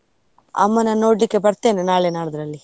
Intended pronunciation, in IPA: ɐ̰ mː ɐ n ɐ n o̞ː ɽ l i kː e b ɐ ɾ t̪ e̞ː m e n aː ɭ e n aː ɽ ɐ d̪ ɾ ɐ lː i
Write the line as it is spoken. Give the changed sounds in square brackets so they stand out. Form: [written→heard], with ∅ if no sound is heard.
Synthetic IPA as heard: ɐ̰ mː ɐ n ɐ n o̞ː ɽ l i kː e b ɐ ɾ t̪ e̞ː [m→n] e n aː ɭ e n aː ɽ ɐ d̪ ɾ ɐ lː i